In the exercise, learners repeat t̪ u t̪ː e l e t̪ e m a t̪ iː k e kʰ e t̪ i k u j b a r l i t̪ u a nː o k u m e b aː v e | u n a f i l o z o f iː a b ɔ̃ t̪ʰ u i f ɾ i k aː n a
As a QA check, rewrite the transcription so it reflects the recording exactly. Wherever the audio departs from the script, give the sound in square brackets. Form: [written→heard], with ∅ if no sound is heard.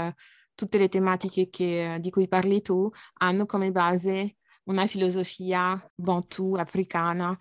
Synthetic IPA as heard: t̪ u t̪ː e l e t̪ e m a t̪ [iː→i] k e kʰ e [t̪→d̪] i k u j [b→p] a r l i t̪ u a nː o k [u→o] m e b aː [v→z] e | u n a f i l o z o f iː a b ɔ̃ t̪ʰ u [i→a] f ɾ i k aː n a